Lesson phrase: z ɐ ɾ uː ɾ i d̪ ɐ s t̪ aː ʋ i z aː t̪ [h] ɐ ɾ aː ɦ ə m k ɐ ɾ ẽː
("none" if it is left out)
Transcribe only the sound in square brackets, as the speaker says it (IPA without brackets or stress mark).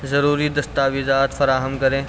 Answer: f